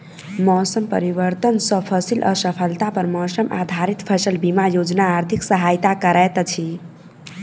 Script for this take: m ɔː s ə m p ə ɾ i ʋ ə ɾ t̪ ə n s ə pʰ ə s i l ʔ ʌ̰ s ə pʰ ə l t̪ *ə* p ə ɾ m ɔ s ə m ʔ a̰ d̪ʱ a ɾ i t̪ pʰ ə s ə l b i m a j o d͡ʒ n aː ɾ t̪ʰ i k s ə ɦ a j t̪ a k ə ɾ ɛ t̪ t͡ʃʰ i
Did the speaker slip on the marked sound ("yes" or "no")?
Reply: yes